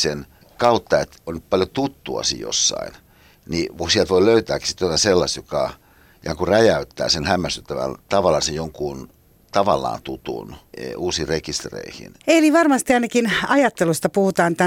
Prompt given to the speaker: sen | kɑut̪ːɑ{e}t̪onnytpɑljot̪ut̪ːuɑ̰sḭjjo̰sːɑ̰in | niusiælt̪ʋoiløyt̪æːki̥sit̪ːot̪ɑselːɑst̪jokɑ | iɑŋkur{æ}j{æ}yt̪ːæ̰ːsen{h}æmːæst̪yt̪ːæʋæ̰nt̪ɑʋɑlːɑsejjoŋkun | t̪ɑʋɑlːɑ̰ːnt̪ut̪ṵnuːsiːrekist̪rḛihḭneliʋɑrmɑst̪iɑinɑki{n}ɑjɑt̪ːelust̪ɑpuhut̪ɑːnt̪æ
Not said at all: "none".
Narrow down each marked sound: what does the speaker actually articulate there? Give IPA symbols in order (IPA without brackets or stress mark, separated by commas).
e, æ, æ, h, n